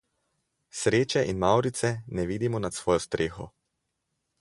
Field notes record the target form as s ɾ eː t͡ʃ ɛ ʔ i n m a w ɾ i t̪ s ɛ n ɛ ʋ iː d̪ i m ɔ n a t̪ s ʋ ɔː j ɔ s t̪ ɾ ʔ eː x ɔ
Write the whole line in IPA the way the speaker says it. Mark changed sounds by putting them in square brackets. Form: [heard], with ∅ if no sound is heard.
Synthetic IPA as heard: s ɾ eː t͡ʃ ɛ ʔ i n m a w ɾ i t̪ s ɛ n ɛ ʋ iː d̪ i m ɔ n a t̪ s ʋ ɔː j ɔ s t̪ ɾ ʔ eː x ɔ